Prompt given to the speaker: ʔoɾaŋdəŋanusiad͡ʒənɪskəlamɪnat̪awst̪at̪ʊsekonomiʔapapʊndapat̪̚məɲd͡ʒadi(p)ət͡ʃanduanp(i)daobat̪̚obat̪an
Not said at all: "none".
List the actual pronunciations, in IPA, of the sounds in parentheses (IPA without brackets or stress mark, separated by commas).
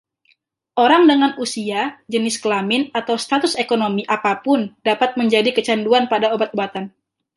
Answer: k, a